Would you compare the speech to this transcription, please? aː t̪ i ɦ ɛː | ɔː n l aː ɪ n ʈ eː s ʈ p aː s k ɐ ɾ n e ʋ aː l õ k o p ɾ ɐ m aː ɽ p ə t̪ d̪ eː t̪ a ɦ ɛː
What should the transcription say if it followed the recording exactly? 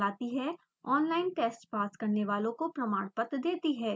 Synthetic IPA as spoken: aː t̪ i ɦ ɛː | ɔː n l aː ɪ n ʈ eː s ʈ p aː s k ɐ ɾ n e ʋ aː l õ k o p ɾ ɐ m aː ɽ p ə t̪ d̪ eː t̪ i ɦ ɛː